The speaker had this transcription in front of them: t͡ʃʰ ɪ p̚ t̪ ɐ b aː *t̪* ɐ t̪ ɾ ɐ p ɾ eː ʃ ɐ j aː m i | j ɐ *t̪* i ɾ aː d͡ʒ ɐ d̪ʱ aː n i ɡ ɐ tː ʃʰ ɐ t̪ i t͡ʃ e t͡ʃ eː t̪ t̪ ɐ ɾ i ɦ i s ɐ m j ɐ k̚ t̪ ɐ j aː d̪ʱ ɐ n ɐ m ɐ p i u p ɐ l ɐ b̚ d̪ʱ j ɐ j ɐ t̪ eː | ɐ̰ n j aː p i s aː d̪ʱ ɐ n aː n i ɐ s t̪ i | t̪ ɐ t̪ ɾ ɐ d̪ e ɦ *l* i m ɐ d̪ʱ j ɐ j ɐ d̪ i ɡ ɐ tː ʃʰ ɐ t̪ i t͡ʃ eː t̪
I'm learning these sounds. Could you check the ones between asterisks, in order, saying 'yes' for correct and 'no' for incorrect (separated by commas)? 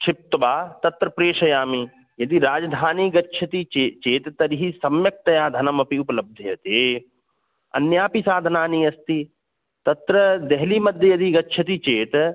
yes, no, yes